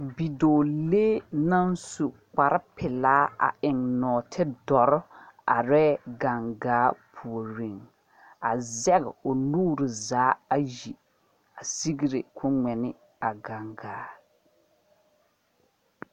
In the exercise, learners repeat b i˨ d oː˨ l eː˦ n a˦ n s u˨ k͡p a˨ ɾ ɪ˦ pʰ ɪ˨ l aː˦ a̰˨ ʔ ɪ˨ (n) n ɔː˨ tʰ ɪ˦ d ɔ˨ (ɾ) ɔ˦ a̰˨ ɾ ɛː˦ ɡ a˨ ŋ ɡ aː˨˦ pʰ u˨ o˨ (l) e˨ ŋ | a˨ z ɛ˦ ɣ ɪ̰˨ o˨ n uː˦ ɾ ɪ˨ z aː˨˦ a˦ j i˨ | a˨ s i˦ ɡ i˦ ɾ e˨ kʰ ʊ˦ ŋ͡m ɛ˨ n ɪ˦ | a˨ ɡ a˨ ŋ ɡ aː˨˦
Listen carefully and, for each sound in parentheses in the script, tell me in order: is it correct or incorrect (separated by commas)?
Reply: incorrect, correct, incorrect